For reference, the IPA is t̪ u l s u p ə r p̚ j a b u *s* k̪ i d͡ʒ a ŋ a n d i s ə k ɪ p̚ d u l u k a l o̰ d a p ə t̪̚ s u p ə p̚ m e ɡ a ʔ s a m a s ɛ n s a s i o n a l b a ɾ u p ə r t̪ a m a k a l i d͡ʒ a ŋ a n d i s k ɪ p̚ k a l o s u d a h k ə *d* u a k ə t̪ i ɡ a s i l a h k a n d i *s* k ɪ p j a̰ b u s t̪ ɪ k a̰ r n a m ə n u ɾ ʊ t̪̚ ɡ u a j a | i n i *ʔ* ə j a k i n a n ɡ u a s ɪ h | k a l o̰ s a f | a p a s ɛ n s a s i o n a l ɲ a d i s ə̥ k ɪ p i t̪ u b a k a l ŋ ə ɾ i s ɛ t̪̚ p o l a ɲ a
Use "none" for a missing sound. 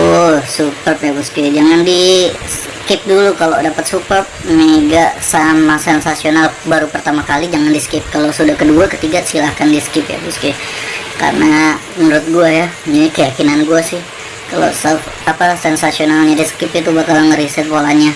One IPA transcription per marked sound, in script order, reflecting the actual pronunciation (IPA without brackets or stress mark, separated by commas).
s, d, s, k